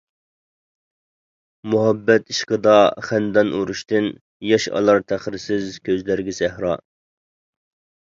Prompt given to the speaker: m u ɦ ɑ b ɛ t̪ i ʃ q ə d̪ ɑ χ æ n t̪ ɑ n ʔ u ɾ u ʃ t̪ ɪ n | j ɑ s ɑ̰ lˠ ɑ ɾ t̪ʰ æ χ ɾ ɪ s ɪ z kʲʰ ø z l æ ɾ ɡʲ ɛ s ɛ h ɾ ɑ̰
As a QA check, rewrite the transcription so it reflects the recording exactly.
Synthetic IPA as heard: m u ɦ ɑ bː ɛ t̪ i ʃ q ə d̪ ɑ χ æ n d̪ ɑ n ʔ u ɾ u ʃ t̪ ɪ n | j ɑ ʃ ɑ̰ lˠ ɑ ɾ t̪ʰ æ χ ɾ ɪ s ɪ z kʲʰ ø z l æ ɾ ɡʲ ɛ s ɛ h ɾ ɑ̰

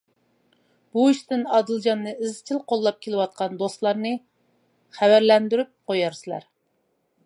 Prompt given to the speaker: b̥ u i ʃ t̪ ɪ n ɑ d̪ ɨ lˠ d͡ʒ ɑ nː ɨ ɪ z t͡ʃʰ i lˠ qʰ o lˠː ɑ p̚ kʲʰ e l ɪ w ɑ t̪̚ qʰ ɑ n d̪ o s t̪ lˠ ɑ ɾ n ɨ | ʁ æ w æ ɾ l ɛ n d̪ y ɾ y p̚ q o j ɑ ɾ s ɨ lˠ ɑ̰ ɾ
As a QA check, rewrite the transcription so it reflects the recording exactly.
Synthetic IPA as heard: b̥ u i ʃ t̪ ɪ n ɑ d̪ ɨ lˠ d͡ʒ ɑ nː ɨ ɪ z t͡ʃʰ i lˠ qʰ o lˠː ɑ p̚ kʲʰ e l ɪ w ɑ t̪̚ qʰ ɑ n d̪ o s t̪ lˠ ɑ ɾ n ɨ | χ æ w æ ɾ l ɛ n d̪ y ɾ y p̚ q o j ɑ ɾ s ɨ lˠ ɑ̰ ɾ

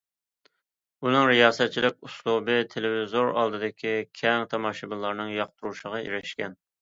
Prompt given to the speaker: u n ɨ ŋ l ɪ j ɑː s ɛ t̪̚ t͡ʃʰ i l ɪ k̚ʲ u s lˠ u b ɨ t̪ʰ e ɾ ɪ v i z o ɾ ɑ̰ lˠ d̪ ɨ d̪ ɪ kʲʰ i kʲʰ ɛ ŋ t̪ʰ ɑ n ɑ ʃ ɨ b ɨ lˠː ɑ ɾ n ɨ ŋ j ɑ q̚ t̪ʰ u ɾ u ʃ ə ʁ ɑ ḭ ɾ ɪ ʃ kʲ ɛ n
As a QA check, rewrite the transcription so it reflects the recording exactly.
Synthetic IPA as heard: u n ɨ ŋ ɾ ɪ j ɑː s ɛ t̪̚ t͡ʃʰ i l ɪ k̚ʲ u s lˠ u b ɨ t̪ʰ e l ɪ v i z o ɾ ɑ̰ lˠ d̪ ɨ d̪ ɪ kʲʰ i kʲʰ ɛ ŋ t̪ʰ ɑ m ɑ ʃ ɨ b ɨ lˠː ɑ ɾ n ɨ ŋ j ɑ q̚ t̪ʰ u ɾ u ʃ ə ʁ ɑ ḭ ɾ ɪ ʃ kʲ ɛ n

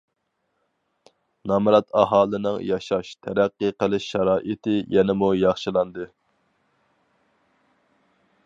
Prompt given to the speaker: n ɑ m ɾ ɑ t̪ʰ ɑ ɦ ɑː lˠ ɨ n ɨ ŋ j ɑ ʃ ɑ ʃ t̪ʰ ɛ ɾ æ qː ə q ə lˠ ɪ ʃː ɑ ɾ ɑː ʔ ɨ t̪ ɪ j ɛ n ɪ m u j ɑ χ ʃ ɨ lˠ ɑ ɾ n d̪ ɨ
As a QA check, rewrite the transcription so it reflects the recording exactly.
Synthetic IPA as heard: n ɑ m ɾ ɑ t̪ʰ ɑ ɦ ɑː lˠ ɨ n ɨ ŋ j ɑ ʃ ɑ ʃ t̪ʰ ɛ ɾ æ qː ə q ə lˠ ɪ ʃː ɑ ɾ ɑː ʔ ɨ t̪ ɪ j ɛ n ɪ m u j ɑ χ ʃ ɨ lˠ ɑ n d̪ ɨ

